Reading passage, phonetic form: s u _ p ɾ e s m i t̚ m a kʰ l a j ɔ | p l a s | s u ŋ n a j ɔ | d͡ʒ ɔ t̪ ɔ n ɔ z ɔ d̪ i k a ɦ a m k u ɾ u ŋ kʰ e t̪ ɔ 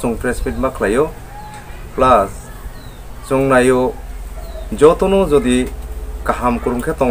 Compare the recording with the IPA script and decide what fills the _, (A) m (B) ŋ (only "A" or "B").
B